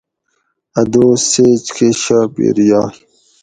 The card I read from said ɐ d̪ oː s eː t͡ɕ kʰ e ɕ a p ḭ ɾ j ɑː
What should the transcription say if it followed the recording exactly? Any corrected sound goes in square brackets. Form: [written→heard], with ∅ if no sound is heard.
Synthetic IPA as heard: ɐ d̪ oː s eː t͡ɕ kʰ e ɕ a p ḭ ɾ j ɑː

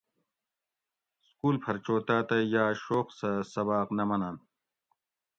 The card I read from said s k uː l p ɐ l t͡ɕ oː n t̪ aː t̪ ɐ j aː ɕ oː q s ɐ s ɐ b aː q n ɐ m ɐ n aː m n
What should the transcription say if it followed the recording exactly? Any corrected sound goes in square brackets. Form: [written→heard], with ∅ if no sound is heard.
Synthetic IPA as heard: s k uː l [p→pʰ] ɐ [l→ɾ] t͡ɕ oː [n→∅] t̪ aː t̪ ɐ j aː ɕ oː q s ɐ s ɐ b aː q n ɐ m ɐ n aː [m→∅] n

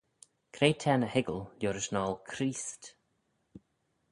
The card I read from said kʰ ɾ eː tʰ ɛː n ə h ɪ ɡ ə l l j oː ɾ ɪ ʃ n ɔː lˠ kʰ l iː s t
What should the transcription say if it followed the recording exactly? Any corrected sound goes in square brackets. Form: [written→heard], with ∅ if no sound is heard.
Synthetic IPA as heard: kʰ ɾ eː tʰ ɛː n ə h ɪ ɡ ə l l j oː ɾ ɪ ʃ n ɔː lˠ kʰ [l→ɾ] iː s t

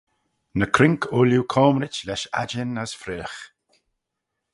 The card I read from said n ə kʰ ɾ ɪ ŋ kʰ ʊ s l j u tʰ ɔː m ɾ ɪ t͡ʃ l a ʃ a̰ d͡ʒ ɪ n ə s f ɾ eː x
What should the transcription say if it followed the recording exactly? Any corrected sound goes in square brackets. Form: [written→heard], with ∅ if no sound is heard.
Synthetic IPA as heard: n ə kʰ ɾ ɪ ŋ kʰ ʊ [s→∅] l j u [tʰ→kʰ] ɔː m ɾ ɪ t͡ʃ l [a→ɛ] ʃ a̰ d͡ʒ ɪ n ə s f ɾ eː x

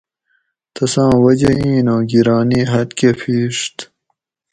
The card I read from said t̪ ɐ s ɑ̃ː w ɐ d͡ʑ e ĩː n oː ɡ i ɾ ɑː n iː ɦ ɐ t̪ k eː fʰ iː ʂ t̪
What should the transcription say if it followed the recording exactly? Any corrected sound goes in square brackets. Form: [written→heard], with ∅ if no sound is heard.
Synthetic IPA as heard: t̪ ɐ s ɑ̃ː w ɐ d͡ʑ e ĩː n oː ɡ i ɾ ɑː n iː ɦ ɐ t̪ k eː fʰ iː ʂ t̪

